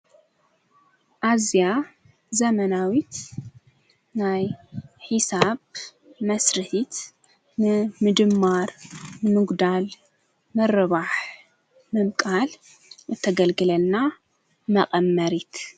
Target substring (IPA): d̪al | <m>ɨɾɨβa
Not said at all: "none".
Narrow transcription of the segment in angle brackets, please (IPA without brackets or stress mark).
m